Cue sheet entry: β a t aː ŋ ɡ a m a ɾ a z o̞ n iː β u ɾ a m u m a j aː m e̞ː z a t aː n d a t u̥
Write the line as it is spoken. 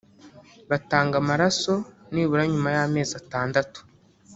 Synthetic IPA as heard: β a t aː ŋ ɡ a m a ɾ a s o̞ n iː β u ɾ a ɲ u m a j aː m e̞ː z a t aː n d a t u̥